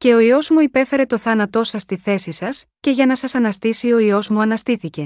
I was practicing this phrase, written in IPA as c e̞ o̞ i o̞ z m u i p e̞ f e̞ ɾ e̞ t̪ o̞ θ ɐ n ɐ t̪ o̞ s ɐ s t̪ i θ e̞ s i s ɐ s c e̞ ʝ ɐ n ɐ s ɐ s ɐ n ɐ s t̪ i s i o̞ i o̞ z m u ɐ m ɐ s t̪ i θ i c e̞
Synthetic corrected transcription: c e̞ o̞ i o̞ z m u i p e̞ f e̞ ɾ e̞ t̪ o̞ θ ɐ n ɐ t̪ o̞ s ɐ s t̪ i θ e̞ s i s ɐ s c e̞ ʝ ɐ n ɐ s ɐ s ɐ n ɐ s t̪ i s i o̞ i o̞ z m u ɐ n ɐ s t̪ i θ i c e̞